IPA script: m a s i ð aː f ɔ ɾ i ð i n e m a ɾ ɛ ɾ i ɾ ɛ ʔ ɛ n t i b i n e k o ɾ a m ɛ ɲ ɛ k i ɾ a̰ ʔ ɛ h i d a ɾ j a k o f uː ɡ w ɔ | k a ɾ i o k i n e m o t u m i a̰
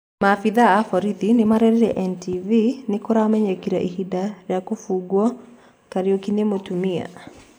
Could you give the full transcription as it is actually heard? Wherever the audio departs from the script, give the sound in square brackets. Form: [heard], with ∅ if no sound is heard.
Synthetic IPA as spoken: m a [f] i ð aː f ɔ ɾ i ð i n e m a ɾ ɛ ɾ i ɾ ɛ ʔ ɛ n t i [v] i n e k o ɾ a m ɛ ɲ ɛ k i ɾ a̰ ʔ [i] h i d a ɾ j a k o f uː ɡ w ɔ | k a ɾ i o k i n e m o t u m i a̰